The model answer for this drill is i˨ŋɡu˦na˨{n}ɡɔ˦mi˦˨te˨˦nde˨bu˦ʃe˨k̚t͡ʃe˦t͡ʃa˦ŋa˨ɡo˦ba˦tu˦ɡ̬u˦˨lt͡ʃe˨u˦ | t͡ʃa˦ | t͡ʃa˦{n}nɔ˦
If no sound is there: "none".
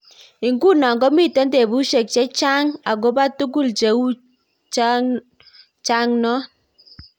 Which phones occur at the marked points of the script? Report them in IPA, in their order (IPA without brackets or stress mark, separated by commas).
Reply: ŋ, ŋ